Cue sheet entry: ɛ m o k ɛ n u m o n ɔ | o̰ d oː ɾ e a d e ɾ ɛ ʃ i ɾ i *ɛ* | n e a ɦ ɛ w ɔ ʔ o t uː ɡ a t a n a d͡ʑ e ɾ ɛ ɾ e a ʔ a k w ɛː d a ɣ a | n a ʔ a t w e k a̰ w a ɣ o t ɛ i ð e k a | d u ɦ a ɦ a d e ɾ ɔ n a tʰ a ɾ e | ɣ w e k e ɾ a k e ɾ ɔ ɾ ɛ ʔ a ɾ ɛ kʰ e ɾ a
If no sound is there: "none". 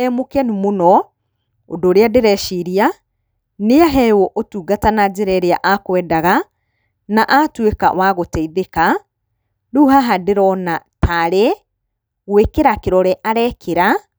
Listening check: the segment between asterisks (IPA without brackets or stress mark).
a